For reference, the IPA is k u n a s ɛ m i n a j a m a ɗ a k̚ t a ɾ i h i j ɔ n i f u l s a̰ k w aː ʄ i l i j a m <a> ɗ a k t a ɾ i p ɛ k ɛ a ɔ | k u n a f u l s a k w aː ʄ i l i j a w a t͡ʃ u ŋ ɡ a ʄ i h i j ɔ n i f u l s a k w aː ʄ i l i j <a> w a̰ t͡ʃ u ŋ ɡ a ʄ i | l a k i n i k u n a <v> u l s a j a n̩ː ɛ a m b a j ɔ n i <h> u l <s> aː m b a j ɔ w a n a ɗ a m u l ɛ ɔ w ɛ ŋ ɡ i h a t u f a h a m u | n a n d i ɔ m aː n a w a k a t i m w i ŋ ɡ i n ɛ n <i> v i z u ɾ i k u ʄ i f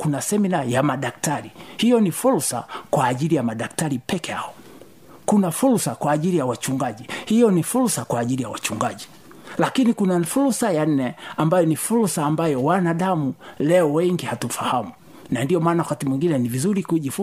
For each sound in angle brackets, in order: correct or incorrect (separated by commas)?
correct, correct, incorrect, incorrect, correct, correct